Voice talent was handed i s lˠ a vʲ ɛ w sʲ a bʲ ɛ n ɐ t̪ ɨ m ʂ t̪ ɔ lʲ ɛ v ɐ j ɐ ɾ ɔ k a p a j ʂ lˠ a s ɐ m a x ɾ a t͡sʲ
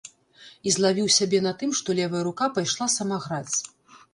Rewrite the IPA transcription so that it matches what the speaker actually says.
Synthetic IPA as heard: i z lˠ a vʲ i w sʲ a bʲ ɛ n ɐ t̪ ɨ m ʂ t̪ ɔ lʲ ɛ v ɐ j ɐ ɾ u k a p a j ʂ lˠ a s ɐ m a ɣ ɾ a t͡sʲ